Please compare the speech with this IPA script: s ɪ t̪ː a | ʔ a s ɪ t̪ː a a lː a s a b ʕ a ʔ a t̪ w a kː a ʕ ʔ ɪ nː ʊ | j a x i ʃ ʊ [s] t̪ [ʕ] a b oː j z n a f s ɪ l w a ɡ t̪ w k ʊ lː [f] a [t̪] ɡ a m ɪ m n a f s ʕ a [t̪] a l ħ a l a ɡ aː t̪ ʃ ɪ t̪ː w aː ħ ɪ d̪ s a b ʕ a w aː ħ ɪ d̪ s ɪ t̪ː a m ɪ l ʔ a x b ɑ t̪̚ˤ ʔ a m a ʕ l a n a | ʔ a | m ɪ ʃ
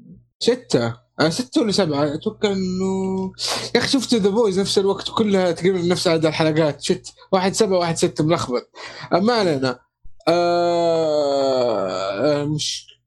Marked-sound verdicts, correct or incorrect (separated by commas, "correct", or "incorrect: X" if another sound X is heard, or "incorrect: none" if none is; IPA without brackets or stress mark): incorrect: f, incorrect: ð, incorrect: h, correct, incorrect: d̪